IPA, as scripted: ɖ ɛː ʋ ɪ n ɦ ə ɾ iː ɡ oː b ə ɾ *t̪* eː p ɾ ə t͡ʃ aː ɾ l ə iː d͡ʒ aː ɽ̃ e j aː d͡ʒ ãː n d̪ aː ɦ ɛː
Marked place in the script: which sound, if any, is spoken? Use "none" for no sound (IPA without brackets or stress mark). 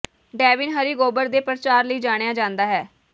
d̪